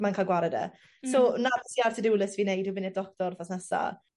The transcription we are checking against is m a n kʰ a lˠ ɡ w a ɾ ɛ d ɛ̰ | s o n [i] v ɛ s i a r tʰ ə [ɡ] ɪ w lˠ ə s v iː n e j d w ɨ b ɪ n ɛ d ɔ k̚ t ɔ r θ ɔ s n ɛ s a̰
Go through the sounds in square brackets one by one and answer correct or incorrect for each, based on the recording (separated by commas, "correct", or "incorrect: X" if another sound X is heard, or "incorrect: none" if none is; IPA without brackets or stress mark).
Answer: incorrect: a, incorrect: d